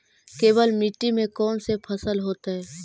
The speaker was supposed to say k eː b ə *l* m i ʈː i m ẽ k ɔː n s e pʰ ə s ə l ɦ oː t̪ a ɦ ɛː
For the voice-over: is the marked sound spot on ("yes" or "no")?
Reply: yes